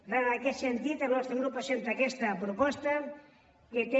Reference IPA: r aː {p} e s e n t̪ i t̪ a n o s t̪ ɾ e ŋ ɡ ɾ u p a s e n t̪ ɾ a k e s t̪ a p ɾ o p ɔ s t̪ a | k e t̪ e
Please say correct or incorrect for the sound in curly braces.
incorrect